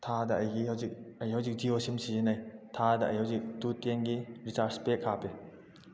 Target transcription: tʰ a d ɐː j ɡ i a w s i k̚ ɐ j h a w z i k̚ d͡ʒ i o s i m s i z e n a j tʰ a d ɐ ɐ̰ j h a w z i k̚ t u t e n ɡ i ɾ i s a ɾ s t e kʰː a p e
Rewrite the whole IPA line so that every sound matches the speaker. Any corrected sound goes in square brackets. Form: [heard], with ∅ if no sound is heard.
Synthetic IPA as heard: tʰ a d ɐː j ɡ i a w [z] i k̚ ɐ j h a w z i k̚ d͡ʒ i o s i m s i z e n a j tʰ a d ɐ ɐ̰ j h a w z i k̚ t u t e n ɡ i ɾ i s a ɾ s [p] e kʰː a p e